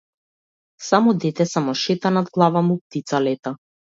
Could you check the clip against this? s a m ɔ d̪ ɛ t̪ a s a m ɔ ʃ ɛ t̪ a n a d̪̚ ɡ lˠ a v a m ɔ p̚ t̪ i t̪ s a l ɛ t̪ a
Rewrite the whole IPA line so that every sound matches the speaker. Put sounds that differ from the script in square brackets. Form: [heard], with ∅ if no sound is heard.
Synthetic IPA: s a m ɔ d̪ ɛ t̪ [ɛ] s a m ɔ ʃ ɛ t̪ a n a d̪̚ ɡ lˠ a v a m [u] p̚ t̪ i t̪ s a l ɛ t̪ a